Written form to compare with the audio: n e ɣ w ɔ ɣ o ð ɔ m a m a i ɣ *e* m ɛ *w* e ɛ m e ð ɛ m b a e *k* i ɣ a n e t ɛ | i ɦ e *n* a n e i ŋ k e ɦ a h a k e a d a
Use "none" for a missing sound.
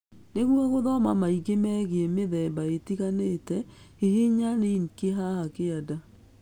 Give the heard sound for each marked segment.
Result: e, ɣ, t, ɲ

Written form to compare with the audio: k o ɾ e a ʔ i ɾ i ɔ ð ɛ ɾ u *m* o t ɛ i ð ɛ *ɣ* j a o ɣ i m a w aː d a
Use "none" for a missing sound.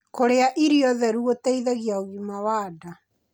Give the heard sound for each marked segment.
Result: none, ɣ

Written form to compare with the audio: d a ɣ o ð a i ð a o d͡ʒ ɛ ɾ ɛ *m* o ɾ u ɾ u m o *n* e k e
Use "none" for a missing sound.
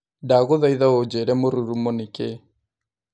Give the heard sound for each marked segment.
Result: m, n

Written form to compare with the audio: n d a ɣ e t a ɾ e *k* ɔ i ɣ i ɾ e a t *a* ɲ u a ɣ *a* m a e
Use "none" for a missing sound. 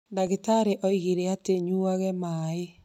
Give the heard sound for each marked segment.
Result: ʔ, e, ɛ

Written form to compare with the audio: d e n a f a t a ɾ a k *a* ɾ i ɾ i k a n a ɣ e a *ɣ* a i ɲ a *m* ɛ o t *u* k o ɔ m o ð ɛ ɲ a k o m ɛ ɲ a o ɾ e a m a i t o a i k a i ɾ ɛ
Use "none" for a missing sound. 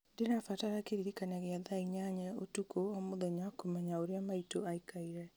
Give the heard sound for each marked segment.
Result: e, ð, ɲ, u

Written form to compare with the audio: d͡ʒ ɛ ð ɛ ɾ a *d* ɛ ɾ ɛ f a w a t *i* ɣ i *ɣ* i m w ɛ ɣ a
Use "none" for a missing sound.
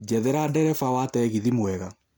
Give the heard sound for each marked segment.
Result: d, ɛ, ð

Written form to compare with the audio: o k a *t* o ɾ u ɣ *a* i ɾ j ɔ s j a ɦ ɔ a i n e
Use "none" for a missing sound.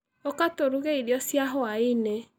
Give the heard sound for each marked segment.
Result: t, e

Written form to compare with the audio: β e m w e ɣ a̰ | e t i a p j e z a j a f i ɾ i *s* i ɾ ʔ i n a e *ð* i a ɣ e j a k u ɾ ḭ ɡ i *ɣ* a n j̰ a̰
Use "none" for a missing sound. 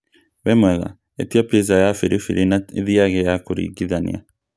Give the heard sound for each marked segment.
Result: f, ð, ð

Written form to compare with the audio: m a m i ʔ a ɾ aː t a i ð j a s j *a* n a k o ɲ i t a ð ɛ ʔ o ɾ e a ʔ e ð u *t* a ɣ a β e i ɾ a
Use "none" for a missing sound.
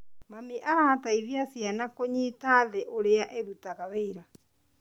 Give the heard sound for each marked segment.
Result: a, t

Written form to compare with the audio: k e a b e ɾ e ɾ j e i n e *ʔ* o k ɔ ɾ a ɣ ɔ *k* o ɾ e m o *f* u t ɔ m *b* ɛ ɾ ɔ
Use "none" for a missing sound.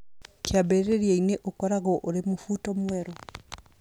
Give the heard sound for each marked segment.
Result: ʔ, ʔ, f, w

